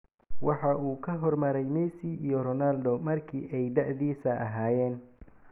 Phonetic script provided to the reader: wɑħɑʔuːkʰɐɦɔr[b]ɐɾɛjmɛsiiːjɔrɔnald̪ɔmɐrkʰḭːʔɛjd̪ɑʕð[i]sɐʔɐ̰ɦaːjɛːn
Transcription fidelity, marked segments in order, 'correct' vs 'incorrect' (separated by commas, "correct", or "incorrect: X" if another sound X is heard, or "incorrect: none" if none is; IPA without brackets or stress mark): incorrect: m, incorrect: iː